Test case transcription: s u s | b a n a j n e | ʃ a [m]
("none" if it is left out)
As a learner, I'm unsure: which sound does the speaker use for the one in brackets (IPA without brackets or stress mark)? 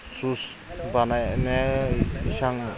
ŋ